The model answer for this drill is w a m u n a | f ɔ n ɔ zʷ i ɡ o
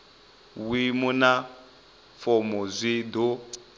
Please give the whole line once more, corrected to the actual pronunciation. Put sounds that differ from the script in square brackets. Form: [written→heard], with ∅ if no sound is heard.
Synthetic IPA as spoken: w [a→i] m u n a | f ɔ [n→m] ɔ zʷ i [ɡ→d] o